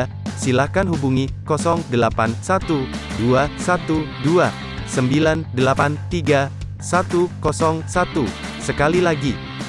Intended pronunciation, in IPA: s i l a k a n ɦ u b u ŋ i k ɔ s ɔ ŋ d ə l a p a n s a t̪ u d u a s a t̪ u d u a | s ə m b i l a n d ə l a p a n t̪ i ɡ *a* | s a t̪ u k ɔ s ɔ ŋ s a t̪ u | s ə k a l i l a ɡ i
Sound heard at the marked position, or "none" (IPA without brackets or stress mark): a